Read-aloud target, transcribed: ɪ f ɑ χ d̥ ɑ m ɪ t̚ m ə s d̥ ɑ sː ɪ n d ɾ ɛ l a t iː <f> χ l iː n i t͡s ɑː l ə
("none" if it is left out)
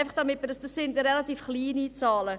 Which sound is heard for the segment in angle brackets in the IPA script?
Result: f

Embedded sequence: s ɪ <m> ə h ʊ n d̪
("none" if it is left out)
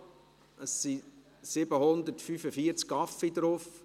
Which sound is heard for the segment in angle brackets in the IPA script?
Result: b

